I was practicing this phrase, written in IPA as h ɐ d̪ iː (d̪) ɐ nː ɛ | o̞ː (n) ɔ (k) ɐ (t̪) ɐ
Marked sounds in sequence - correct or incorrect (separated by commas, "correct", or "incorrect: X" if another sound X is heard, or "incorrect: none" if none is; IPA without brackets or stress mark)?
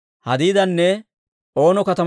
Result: correct, correct, correct, correct